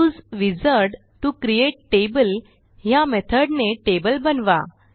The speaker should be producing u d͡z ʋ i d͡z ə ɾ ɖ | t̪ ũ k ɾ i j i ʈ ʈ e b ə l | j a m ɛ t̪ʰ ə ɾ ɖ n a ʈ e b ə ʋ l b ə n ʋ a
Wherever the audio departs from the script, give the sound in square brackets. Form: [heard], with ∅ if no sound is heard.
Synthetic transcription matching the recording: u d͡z ʋ i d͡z ə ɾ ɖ | t̪ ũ k ɾ i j [e] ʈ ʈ e b ə l | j a m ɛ t̪ʰ ə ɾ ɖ n [e] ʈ e b ə [∅] l b ə n ʋ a